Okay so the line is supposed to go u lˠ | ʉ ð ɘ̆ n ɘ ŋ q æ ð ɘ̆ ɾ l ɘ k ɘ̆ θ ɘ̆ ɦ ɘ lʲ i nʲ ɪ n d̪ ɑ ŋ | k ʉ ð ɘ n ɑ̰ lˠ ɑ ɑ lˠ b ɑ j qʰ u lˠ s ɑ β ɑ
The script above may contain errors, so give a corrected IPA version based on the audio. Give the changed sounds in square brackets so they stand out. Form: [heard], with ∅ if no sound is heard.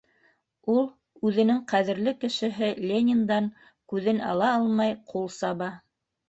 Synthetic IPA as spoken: u lˠ | ʉ ð ɘ̆ n ɘ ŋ q æ ð ɘ̆ ɾ l ɘ k ɘ̆ [ʃ] ɘ̆ ɦ ɘ lʲ [e] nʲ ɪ n d̪ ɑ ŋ | k ʉ ð ɘ n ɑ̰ lˠ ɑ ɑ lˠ [m] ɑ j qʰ u lˠ s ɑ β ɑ